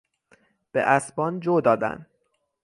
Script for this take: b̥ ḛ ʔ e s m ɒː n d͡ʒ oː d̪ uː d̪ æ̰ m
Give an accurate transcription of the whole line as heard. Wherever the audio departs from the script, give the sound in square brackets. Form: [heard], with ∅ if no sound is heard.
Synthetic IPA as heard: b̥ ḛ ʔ [æ] s [b] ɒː n d͡ʒ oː d̪ [ɒː] d̪ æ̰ [n]